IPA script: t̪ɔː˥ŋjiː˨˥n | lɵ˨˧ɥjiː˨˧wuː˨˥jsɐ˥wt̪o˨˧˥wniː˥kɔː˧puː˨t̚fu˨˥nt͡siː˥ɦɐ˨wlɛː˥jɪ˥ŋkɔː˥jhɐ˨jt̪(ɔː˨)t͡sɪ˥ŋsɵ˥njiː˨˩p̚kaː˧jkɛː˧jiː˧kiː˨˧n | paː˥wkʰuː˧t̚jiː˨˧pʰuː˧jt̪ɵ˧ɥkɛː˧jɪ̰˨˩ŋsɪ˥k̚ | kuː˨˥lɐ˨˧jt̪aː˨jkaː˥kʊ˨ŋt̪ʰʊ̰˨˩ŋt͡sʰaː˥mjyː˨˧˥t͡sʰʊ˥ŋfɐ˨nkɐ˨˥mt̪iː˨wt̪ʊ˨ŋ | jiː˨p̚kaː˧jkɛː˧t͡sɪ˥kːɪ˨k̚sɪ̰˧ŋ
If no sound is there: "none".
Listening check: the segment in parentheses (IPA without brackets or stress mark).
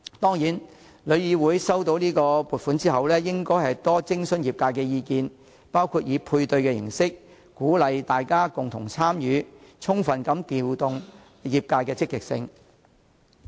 ɔː˥